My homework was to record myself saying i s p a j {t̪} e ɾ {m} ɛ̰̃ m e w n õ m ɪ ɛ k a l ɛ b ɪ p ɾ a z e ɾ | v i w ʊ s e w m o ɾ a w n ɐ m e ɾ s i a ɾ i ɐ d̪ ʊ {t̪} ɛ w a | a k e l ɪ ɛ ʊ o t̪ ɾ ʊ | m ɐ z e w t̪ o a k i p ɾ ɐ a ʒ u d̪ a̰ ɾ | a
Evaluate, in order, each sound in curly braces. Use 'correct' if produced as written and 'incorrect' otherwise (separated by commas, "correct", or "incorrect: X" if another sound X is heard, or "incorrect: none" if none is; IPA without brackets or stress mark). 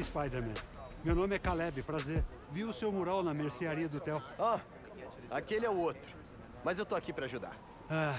incorrect: d̪, correct, correct